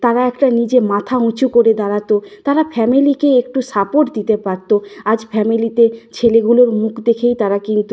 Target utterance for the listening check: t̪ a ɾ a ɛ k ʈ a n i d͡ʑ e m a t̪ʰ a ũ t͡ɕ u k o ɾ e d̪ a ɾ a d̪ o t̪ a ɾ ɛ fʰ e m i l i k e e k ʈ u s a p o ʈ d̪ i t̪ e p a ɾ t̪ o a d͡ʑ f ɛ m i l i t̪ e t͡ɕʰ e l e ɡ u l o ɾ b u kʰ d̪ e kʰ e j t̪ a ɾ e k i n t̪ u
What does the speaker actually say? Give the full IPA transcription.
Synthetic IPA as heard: t̪ a ɾ a ɛ k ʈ a n i d͡ʑ e m a t̪ʰ a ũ t͡ɕ u k o ɾ e d̪ a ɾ a t̪ o t̪ a ɾ a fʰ ɛ m i l i k e e k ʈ u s a p o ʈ d̪ i t̪ e p a ɾ t̪ o a d͡ʑ f ɛ m i l i t̪ e t͡ɕʰ e l e ɡ u l o ɾ m u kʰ d̪ e kʰ e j t̪ a ɾ a k i n t̪ u